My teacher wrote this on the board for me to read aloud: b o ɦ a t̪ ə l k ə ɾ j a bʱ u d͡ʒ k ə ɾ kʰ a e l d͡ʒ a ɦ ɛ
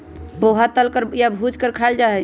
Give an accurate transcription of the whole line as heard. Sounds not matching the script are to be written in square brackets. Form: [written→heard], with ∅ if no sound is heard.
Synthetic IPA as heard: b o ɦ a t̪ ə l k ə ɾ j a bʱ u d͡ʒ k ə ɾ kʰ a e l d͡ʒ a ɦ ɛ